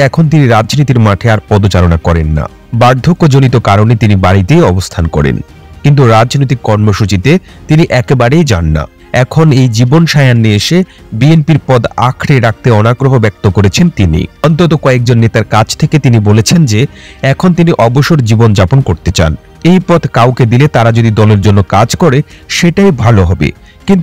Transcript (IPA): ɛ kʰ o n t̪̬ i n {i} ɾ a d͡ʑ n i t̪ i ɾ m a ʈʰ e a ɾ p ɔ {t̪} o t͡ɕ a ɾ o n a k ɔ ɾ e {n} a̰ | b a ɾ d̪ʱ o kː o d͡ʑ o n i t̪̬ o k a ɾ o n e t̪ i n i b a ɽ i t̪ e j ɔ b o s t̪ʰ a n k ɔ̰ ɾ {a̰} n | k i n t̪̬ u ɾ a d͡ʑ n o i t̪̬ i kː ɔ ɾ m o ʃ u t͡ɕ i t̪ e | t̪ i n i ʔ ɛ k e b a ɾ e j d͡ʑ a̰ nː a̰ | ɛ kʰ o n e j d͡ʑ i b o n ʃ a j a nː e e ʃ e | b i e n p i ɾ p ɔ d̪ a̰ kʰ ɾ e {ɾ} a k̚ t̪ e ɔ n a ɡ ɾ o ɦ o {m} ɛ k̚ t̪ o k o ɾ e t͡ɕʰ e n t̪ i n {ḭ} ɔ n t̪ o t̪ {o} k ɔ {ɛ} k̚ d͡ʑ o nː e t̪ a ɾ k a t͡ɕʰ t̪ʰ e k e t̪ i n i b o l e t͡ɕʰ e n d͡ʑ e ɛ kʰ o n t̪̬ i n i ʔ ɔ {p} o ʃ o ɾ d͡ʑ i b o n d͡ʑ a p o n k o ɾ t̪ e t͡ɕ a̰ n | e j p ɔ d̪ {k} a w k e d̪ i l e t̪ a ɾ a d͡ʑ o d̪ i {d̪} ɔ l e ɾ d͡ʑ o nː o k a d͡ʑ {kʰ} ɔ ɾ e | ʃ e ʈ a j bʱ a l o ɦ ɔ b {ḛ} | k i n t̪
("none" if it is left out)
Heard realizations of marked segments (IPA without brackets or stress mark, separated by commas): i, d̪, nː, ḛ, ɾ, b, ḭ, o, e, b, k, d̪, k, ḛ